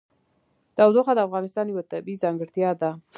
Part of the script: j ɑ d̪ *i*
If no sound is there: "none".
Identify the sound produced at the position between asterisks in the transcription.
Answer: a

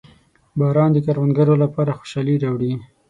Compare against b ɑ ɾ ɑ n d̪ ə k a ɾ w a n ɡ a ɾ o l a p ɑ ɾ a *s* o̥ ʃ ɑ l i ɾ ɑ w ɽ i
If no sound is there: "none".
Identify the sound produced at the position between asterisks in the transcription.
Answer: x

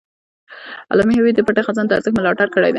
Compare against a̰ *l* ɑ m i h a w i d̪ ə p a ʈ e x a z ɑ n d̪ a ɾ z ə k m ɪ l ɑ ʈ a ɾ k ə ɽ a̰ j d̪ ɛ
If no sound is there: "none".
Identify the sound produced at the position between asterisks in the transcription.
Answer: l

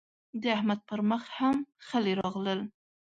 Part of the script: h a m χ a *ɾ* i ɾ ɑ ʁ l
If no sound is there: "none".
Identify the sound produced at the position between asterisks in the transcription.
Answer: l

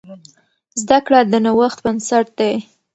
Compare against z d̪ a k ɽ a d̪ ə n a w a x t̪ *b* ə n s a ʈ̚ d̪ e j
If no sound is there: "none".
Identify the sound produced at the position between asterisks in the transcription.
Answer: b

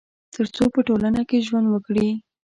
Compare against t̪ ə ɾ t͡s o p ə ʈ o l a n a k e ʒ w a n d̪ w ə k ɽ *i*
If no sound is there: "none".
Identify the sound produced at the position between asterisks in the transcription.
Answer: i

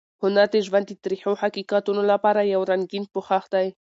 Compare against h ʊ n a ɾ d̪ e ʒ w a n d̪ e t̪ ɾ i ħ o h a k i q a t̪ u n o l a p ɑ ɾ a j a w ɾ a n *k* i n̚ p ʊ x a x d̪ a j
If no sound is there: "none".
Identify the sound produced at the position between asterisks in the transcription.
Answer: ɡ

